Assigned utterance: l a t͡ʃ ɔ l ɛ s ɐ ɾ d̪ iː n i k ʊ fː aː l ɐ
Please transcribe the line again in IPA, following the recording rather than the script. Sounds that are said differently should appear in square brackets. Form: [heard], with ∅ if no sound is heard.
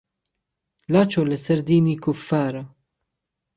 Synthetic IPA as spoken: l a t͡ʃ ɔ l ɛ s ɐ ɾ d̪ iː n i k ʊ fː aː [ɾ] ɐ